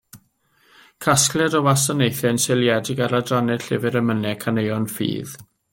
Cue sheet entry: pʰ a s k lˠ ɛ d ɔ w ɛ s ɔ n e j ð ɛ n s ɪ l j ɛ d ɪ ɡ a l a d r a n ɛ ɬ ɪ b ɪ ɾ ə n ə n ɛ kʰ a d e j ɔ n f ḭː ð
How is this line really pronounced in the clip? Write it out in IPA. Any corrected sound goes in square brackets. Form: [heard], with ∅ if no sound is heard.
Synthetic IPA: [kʰ] a s k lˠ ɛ d ɔ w [a] s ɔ n e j [θ] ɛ n s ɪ l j ɛ d ɪ ɡ a [ɾ] a d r a n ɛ ɬ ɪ [v] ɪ ɾ ə [m] ə n ɛ kʰ a [n] e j ɔ n f ḭː ð